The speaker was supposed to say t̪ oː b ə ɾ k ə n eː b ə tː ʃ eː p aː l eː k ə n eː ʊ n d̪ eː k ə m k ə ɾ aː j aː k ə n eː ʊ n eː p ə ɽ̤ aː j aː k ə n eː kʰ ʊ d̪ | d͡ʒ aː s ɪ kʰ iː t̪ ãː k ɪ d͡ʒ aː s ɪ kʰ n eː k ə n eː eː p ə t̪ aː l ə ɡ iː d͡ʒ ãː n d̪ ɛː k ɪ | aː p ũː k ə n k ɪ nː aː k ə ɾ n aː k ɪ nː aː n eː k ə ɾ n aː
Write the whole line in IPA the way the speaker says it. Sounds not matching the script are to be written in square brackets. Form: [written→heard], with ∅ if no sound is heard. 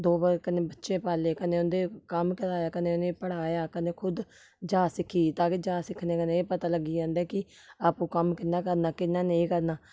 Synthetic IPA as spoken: [t̪→d̪] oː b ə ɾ k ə n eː b ə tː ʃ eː p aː l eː k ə n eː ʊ n d̪ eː k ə m k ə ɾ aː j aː k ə n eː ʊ n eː p ə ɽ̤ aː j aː k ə n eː kʰ ʊ d̪ | d͡ʒ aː s ɪ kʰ iː t̪ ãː k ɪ d͡ʒ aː s ɪ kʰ n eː k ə n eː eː p ə t̪ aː l ə ɡ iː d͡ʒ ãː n d̪ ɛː k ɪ | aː p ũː k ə [n→m] k ɪ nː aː k ə ɾ n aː k ɪ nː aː n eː k ə ɾ n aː